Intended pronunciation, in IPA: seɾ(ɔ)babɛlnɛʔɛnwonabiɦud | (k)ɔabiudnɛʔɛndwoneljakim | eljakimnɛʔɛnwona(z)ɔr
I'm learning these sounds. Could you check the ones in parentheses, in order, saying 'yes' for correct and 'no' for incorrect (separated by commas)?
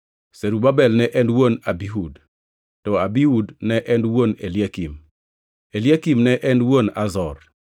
no, no, yes